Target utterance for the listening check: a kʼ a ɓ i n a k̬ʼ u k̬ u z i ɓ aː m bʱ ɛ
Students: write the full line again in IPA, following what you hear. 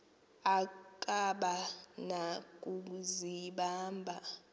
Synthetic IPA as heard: a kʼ a ɓ a n a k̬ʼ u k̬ u z i ɓ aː m bʱ a